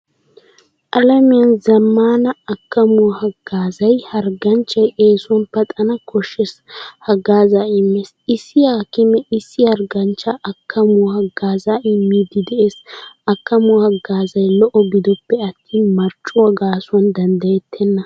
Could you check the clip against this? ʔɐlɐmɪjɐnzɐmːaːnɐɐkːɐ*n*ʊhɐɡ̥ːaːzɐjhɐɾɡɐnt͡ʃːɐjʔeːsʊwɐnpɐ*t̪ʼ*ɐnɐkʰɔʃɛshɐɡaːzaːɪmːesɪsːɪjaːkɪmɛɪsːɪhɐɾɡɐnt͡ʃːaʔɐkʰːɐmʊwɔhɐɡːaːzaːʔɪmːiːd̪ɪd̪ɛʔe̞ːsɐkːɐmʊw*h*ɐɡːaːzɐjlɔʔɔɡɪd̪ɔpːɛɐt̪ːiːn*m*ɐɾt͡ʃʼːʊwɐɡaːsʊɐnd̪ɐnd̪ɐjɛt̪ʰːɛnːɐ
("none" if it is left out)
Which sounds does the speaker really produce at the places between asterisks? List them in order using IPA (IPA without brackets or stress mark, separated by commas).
m, t̪ʼ, h, m